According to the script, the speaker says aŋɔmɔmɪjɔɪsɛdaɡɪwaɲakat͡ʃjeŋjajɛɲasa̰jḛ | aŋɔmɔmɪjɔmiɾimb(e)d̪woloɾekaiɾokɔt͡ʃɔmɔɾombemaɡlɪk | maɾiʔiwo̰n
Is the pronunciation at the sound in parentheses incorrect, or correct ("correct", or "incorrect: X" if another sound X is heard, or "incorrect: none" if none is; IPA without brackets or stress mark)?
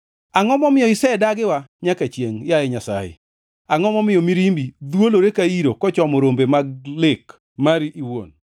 incorrect: i